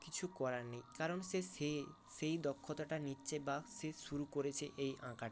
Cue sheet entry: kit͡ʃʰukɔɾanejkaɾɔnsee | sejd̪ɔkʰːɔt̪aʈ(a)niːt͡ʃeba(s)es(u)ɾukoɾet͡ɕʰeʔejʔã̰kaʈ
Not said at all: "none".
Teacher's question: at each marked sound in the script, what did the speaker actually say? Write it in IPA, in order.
a, s, u

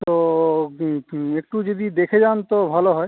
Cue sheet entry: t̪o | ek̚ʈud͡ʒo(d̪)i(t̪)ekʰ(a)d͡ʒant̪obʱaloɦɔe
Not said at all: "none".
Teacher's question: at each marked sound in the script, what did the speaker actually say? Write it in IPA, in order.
d̪, d̪, e

